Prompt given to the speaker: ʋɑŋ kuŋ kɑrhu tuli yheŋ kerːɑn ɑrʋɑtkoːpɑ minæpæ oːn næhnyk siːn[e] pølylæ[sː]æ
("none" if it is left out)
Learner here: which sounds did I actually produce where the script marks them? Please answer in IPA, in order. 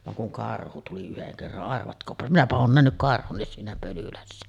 æ, sː

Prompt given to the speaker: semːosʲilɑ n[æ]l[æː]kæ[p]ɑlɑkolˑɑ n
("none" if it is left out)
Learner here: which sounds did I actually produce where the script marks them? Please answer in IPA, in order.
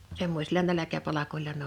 æ, æ, p

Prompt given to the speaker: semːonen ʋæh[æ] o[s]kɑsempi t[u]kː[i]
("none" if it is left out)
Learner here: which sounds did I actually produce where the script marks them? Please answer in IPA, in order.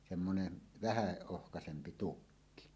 æ, h, u, i

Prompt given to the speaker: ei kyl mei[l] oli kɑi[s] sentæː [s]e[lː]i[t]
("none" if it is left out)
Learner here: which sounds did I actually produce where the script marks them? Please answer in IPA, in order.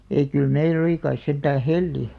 l, s, h, lː, none

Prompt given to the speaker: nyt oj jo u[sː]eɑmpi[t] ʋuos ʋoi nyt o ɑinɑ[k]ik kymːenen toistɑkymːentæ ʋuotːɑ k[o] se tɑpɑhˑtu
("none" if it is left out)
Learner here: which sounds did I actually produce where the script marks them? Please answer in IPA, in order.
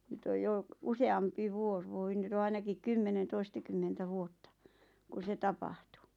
s, none, k, u

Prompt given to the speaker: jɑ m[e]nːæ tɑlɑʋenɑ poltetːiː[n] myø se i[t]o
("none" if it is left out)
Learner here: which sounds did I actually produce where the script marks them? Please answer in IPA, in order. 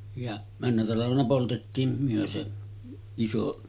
æ, m, s

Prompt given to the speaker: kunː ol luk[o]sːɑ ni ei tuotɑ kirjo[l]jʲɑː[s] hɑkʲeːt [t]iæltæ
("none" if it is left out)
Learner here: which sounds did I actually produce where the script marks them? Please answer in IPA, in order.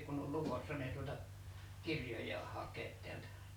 o, none, h, t

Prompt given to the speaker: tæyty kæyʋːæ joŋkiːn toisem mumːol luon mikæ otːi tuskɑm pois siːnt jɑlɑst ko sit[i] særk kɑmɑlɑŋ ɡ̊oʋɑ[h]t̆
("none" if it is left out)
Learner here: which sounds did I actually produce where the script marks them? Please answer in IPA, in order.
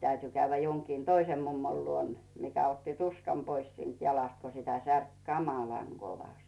æ, s

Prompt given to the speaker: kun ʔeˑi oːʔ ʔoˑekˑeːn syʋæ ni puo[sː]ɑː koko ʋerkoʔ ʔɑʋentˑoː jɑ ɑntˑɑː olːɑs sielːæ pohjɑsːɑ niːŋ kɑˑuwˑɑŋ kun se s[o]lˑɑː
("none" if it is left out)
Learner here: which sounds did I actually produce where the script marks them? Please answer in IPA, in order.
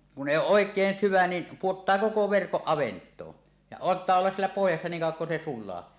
tː, u

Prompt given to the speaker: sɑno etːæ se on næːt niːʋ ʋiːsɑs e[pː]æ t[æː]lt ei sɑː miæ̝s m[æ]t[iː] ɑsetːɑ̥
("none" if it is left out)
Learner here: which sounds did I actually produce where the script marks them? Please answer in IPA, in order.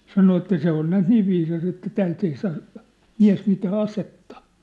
tː, æː, i, æː

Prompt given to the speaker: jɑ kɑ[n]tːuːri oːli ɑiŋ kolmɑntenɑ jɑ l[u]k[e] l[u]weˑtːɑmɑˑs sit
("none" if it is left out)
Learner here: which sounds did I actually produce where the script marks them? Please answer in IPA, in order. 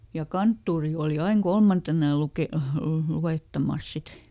n, u, e, u

